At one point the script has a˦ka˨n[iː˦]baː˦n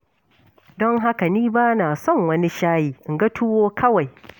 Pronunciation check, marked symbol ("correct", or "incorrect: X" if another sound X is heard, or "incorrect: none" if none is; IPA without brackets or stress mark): correct